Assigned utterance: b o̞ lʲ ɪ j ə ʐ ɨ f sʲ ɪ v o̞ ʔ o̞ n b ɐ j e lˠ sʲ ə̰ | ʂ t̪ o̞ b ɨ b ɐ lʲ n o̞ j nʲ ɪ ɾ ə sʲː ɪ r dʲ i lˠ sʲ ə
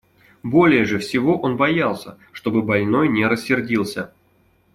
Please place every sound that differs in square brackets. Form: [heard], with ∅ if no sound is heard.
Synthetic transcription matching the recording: b o̞ lʲ ɪ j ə ʐ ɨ f sʲ ɪ v o̞ ʔ o̞ n b ɐ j [a] lˠ sʲ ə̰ | ʂ t̪ o̞ b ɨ b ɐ lʲ n o̞ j nʲ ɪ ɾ ə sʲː ɪ r dʲ i lˠ sʲ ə